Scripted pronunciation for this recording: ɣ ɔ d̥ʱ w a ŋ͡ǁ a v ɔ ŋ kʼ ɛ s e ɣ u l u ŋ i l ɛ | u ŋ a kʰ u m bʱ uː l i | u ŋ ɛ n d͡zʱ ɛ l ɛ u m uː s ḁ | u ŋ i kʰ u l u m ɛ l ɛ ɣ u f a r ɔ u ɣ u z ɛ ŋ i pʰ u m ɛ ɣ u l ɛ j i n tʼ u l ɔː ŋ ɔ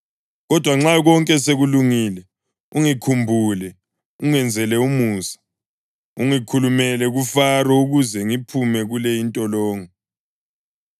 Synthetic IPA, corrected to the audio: ɣ ɔ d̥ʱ w a ŋ͡ǁ a ɣ ɔ ŋ kʼ ɛ s e ɣ u l u ŋ i l ɛ | u ŋ i kʰ u m bʱ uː l ɛ | u ŋ ɛ n d͡zʱ ɛ l ɛ u m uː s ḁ | u ŋ i kʰ u l u m ɛ l ɛ ɣ u f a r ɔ u ɣ u z ɛ ŋ i pʰ u m ɛ ɣ u l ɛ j i n tʼ ɔ l ɔː ŋ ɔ